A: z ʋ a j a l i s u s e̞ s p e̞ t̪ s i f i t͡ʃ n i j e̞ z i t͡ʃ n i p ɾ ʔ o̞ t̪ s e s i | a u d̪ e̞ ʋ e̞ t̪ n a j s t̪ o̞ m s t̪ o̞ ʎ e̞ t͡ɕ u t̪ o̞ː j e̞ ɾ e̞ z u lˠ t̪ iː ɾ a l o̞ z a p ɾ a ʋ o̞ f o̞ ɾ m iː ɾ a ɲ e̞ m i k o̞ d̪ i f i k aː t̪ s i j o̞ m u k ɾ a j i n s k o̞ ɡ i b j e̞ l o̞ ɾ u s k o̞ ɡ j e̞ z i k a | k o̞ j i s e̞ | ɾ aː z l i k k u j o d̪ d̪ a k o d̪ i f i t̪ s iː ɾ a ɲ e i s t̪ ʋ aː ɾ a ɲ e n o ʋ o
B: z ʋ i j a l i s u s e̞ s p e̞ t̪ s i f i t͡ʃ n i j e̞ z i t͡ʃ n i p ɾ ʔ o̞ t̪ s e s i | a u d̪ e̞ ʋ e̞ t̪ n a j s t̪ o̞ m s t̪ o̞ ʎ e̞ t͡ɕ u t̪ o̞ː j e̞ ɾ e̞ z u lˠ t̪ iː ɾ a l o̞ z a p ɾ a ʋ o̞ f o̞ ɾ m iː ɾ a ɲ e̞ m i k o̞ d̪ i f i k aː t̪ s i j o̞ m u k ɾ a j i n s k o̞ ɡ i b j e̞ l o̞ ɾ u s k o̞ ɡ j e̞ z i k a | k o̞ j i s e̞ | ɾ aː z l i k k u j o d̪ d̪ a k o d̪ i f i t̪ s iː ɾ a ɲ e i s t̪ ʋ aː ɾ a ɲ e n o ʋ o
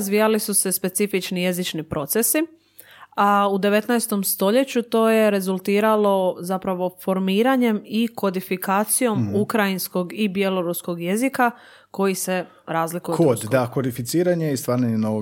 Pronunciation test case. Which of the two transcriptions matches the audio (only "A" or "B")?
B